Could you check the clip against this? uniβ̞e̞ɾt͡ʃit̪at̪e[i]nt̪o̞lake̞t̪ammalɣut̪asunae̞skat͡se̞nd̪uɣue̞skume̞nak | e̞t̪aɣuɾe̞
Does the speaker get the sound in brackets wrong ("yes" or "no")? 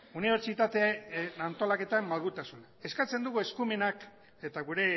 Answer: yes